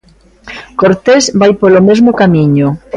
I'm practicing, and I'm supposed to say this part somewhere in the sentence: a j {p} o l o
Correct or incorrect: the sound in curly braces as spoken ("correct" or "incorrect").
correct